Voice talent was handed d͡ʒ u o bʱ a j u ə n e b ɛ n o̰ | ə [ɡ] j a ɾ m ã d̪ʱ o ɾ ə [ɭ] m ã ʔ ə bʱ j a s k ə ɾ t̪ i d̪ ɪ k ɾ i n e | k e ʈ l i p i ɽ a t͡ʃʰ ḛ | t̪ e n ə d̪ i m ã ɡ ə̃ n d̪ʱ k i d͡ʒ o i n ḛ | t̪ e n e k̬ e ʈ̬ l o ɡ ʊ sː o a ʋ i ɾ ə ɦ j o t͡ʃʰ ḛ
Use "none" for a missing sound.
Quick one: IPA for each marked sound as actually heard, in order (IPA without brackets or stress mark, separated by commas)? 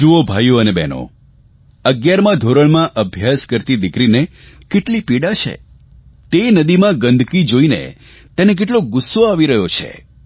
ɡ, ɭ